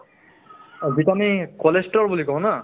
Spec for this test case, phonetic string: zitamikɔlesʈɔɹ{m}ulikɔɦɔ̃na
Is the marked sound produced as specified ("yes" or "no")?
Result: no